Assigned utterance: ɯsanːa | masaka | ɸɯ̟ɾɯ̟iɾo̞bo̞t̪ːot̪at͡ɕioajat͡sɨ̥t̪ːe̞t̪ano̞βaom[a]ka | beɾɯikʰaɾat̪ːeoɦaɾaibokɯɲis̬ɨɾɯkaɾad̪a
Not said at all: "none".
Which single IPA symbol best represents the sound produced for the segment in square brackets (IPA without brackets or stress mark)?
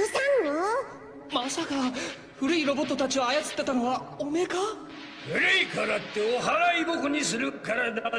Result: e